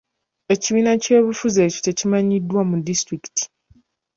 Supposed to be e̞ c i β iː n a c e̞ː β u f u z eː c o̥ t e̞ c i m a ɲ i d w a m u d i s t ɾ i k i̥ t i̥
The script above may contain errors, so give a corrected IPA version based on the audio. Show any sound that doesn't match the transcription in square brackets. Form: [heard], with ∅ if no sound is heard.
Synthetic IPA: e̞ c i β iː n a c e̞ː β u f u z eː c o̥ t e̞ c i m a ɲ i d w a m u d i s t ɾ i k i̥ t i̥